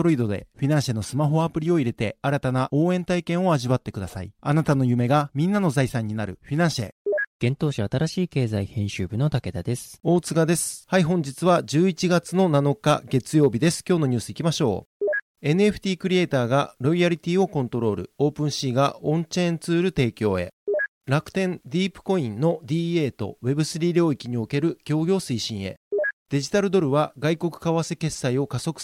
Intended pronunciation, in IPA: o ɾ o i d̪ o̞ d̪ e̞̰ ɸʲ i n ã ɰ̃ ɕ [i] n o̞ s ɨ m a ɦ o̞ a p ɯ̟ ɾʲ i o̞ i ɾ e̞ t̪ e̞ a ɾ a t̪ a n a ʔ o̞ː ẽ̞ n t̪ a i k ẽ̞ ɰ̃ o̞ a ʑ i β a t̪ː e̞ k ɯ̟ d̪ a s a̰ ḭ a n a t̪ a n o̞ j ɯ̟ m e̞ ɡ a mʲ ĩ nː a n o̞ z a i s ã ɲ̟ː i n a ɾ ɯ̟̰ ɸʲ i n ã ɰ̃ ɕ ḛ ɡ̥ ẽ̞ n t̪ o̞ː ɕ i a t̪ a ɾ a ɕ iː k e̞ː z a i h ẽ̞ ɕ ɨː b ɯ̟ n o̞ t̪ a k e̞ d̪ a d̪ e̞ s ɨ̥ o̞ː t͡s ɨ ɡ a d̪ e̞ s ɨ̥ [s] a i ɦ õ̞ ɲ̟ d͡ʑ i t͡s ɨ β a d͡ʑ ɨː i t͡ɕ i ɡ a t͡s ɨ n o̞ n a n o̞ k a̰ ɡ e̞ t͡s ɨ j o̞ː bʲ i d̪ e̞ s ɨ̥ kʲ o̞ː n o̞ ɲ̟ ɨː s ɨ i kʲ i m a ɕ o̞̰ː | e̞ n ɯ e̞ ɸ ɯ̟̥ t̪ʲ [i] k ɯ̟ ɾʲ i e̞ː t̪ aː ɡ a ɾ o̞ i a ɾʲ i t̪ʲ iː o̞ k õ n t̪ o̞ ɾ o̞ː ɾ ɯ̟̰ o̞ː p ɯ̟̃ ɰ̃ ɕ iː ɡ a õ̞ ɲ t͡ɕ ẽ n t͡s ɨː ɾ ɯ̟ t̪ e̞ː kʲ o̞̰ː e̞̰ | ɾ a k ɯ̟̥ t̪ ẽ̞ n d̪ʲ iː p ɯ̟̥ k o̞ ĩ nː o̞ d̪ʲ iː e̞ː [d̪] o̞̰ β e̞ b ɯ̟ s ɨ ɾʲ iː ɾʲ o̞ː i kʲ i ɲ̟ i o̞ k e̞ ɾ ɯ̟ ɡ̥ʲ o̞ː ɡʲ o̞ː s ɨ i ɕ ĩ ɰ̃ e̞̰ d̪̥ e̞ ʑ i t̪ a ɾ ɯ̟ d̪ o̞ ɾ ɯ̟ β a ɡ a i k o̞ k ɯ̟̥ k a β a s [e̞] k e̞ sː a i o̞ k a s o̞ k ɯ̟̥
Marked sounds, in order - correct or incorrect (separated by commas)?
incorrect, incorrect, incorrect, incorrect, correct